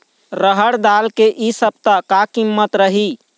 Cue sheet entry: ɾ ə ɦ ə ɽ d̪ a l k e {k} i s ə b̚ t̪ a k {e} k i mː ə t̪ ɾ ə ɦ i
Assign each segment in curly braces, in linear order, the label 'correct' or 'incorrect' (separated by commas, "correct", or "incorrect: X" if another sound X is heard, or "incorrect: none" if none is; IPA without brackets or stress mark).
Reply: incorrect: ʔ, incorrect: a